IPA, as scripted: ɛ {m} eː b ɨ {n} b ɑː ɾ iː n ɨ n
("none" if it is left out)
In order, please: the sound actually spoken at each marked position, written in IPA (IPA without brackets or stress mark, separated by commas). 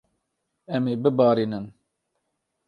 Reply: m, none